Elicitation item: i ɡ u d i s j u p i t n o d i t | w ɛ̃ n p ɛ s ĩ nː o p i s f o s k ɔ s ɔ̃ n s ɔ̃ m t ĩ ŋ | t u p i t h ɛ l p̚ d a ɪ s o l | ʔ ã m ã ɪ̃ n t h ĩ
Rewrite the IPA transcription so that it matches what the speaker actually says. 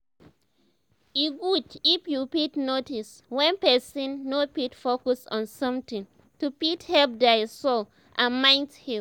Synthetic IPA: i ɡ u d i f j u p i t n o t i s | w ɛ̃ n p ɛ s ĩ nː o p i t f o k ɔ s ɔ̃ n s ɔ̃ m t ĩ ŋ | t u p i t h ɛ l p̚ d a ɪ s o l | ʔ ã m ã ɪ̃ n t h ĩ